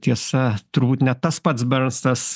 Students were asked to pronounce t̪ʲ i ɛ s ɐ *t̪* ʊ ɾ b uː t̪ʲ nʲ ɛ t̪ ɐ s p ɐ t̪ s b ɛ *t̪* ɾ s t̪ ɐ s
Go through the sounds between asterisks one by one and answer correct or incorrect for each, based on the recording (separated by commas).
correct, incorrect